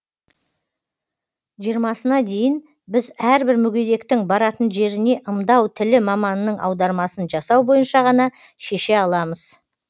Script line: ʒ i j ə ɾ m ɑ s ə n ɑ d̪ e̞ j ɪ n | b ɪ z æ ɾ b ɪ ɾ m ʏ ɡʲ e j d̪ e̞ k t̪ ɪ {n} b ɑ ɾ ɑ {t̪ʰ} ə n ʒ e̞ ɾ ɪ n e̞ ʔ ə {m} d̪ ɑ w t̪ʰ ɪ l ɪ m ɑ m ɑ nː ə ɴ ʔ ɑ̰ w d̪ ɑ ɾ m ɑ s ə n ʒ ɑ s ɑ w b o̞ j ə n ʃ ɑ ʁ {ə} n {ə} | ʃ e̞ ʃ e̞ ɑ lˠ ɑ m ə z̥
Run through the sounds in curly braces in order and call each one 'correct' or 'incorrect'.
incorrect, incorrect, correct, incorrect, incorrect

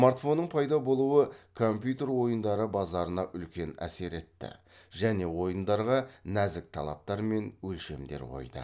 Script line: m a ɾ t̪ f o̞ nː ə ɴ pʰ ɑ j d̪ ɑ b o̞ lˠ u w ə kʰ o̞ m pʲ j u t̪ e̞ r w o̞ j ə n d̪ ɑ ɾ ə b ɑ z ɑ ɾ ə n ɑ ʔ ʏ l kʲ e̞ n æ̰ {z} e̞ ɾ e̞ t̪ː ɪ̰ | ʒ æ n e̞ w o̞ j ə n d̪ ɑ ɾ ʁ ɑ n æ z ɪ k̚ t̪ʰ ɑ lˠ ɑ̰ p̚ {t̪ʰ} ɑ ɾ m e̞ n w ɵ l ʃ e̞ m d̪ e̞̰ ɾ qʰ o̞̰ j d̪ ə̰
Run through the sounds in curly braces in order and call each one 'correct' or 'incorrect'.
incorrect, incorrect

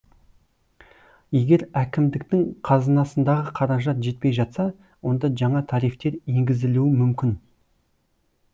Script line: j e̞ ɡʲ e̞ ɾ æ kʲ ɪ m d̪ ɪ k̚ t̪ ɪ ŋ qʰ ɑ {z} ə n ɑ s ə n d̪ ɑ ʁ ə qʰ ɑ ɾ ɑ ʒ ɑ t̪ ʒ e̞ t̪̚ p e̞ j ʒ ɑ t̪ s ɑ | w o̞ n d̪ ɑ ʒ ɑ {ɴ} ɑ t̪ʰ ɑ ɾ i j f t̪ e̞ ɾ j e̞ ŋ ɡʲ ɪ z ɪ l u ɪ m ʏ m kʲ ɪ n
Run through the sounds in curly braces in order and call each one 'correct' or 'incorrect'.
correct, correct

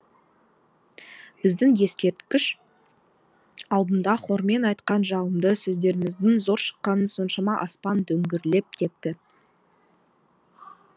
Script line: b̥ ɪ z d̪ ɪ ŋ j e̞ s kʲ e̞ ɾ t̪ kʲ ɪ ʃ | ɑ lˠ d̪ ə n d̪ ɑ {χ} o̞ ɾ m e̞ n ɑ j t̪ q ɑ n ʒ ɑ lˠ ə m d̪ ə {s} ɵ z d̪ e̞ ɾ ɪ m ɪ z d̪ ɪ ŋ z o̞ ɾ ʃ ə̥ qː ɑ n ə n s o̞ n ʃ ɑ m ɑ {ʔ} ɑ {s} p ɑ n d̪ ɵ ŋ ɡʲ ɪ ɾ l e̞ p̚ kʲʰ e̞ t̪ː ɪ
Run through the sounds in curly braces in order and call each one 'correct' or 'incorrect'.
correct, correct, correct, correct

